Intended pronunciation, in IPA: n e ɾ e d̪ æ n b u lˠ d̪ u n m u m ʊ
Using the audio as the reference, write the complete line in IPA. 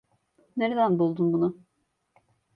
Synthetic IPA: n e ɾ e d̪ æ n b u lˠ d̪ u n b u n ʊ